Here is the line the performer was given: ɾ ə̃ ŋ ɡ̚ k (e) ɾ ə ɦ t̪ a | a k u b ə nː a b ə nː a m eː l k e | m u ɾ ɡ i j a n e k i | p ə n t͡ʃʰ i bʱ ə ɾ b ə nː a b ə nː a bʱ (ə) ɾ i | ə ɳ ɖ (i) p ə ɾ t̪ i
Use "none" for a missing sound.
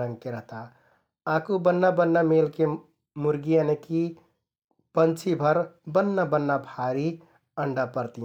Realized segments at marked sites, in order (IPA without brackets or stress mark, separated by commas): e, a, a